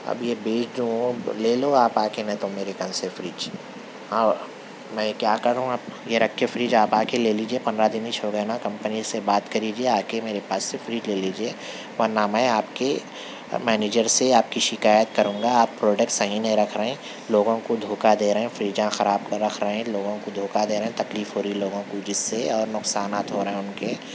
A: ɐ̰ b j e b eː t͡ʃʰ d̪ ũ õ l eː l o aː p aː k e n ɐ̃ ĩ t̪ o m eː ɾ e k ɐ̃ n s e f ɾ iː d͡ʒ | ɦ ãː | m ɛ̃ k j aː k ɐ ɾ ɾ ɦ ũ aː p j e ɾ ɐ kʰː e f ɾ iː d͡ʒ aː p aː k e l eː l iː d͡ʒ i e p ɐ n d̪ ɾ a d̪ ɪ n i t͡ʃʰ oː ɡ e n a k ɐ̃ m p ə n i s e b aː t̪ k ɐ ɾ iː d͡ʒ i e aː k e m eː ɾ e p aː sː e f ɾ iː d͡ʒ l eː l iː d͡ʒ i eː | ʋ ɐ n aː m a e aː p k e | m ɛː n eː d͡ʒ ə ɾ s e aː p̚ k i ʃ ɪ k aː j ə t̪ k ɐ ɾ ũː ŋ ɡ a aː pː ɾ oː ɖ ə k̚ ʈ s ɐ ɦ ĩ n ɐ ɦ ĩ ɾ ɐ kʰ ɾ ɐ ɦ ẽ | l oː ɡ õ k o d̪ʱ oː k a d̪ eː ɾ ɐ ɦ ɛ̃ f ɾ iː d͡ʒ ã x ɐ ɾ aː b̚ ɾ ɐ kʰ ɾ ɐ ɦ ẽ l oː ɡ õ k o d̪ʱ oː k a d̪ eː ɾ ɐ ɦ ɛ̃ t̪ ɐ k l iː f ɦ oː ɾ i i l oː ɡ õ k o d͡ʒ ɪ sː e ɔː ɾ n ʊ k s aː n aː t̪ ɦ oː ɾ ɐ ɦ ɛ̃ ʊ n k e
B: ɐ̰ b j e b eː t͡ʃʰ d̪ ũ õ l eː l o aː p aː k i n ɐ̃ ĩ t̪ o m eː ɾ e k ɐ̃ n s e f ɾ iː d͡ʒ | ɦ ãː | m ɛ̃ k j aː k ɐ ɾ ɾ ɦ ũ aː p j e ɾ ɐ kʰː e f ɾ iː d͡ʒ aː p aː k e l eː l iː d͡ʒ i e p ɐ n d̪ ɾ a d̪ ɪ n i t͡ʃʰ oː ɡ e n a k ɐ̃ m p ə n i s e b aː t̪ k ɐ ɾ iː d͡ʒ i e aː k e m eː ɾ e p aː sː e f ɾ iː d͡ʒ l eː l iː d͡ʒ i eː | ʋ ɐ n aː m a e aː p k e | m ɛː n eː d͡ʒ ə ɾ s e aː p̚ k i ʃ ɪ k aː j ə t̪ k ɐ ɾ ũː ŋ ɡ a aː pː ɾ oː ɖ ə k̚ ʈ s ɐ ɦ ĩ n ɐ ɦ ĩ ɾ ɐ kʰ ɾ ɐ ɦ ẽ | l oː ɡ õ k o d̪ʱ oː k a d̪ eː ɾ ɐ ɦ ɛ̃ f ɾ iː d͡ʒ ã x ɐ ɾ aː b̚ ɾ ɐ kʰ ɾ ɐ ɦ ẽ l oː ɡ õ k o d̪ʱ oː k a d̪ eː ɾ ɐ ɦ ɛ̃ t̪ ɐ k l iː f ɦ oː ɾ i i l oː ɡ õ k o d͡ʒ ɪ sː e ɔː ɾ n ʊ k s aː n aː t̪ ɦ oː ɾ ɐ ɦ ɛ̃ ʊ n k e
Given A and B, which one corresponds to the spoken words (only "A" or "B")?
A